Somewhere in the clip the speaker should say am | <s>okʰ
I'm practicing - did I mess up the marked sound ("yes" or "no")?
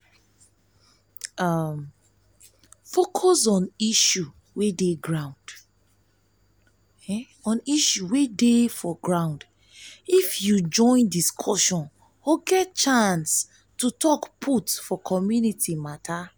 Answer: yes